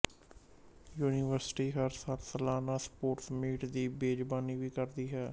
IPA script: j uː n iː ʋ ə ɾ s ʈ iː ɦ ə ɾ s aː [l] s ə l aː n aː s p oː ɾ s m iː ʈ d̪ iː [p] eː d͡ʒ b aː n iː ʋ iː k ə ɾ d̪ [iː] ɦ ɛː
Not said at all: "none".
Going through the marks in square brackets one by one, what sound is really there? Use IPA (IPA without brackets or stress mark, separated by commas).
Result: l, b, iː